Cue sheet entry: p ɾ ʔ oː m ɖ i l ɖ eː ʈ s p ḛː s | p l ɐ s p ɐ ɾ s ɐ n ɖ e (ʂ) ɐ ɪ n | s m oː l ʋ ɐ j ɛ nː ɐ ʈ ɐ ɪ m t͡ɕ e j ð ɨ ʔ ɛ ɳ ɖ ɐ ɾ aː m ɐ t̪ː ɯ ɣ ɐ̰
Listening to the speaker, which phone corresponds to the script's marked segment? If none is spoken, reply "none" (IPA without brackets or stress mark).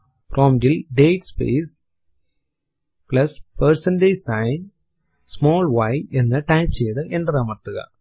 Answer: s